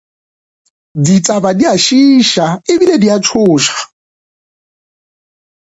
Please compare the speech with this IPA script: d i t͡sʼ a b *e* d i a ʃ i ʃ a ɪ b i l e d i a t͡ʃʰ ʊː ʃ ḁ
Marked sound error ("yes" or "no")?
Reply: yes